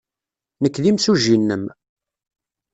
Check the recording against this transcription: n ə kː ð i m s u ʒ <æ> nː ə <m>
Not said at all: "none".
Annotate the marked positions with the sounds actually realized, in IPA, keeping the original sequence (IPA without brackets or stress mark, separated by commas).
i, m